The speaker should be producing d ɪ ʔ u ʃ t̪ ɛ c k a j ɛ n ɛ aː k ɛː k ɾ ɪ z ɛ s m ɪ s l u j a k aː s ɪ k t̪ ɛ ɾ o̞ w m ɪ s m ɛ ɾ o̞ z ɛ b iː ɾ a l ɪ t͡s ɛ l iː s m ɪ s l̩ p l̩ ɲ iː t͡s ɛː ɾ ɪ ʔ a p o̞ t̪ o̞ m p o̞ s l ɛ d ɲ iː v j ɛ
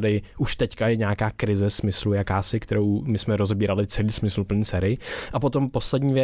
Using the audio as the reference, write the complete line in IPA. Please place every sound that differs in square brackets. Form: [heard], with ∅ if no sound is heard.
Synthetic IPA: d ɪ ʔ u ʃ t̪ ɛ c k a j ɛ [ɲ] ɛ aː k [aː] k ɾ ɪ z ɛ s m ɪ s l u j a k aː s ɪ k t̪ ɛ ɾ o̞ w m ɪ s m ɛ ɾ o̞ z ɛ b iː ɾ a l ɪ t͡s ɛ l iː s m ɪ s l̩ p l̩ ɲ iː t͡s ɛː ɾ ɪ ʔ a p o̞ t̪ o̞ m p o̞ s l ɛ d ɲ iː v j ɛ